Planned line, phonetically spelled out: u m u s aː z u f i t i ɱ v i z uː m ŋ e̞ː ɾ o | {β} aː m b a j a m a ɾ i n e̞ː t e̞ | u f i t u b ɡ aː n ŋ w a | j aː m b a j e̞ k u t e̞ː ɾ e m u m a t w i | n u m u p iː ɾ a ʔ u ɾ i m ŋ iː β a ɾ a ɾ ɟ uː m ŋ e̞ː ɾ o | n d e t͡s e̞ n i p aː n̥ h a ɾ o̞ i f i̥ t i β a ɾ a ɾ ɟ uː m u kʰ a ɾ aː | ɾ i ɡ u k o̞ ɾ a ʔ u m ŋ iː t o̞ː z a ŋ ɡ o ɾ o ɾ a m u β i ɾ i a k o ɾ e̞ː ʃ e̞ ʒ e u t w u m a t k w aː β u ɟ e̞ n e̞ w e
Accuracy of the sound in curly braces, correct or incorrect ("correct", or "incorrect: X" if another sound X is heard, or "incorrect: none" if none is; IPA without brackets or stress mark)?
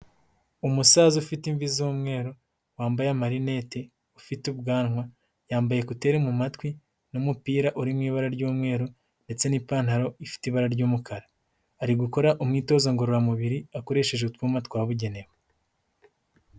incorrect: w